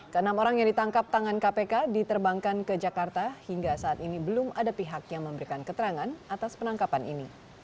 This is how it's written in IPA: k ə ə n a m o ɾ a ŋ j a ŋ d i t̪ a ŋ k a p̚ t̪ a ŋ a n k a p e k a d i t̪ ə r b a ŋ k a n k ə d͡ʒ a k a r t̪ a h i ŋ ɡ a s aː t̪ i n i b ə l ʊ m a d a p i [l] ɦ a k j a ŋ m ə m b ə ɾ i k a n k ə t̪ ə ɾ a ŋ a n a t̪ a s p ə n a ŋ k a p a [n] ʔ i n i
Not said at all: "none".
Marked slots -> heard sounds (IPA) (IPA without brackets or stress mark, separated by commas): none, n